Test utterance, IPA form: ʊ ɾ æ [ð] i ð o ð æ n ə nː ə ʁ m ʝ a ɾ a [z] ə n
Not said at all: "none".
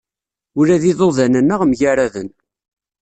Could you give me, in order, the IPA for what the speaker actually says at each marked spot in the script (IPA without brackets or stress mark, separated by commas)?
ð, ð